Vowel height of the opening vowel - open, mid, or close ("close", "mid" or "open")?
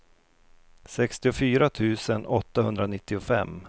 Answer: mid